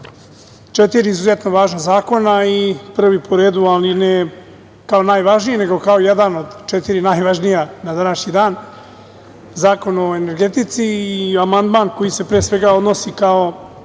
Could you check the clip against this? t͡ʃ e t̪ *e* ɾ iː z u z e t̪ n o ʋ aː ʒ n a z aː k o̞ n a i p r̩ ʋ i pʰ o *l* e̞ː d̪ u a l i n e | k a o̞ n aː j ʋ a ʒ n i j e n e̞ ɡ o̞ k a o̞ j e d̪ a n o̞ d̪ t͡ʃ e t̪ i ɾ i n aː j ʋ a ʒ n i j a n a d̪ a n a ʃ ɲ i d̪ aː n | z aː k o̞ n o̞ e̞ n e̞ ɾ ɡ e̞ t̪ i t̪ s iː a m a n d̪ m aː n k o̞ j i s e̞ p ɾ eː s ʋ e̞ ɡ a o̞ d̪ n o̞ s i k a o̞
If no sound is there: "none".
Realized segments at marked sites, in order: i, ɾ

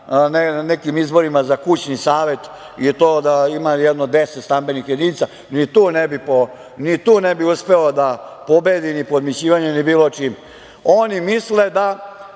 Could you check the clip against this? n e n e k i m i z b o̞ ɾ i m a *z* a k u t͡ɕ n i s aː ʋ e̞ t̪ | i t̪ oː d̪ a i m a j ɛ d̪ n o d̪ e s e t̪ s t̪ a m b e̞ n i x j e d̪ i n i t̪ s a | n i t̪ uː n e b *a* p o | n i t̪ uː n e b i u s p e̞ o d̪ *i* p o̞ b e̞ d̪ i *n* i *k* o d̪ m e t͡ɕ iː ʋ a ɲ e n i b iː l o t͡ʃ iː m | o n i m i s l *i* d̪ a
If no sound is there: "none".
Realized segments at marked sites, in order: z, i, a, n, p, e

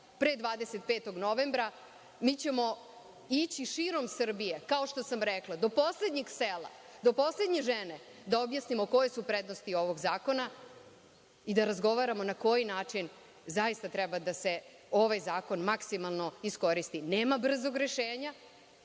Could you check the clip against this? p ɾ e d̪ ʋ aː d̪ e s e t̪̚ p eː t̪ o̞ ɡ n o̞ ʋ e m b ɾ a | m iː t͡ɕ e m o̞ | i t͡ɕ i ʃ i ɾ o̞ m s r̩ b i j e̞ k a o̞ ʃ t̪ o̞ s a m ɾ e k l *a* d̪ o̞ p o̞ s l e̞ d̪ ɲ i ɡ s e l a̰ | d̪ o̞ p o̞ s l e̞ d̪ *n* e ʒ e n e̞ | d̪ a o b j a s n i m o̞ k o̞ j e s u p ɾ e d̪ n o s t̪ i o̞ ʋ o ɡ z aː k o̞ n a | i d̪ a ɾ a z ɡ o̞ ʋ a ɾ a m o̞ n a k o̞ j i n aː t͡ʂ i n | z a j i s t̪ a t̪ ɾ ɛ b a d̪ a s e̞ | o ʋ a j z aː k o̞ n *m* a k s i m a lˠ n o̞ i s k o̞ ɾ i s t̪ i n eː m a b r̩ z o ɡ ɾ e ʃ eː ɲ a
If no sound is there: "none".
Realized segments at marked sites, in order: a, ɲ, m

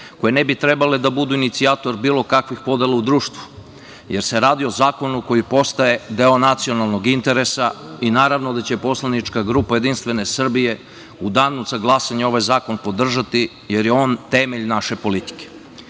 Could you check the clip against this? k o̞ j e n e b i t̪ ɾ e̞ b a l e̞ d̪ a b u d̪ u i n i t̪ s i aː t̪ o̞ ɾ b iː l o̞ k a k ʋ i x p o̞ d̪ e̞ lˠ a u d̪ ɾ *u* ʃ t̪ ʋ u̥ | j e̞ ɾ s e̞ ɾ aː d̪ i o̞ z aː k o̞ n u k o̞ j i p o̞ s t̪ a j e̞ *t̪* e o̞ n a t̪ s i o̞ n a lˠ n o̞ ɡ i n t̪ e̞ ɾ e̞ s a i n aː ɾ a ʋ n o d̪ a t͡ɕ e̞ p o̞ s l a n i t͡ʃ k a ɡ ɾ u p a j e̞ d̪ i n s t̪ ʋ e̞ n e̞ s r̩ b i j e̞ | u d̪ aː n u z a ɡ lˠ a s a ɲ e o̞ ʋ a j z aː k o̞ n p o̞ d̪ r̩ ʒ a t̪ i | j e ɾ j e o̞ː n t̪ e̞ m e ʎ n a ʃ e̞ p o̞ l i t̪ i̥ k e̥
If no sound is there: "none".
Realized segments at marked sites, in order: uː, d̪

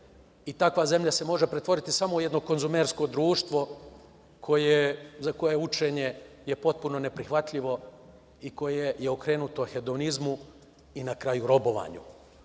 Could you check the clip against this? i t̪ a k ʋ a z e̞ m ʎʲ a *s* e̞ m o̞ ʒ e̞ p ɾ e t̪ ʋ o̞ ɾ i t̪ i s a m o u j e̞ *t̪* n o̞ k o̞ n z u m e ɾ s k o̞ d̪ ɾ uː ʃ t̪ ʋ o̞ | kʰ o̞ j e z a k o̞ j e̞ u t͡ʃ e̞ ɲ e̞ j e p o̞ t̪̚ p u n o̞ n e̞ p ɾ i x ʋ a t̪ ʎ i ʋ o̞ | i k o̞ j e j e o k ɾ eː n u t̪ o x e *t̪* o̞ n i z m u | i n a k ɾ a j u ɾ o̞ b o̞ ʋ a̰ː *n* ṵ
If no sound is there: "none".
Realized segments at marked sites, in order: s, d̪, d̪, ɲ

